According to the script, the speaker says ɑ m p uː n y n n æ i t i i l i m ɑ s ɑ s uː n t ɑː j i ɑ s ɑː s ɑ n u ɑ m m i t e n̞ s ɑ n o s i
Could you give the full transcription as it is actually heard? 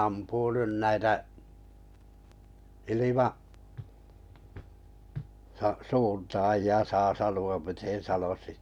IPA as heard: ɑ m p uː n y n n æ i t æ i l i m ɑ s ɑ s uː n t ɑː j i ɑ s ɑː s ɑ n u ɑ m m i t e n̞ s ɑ n o s i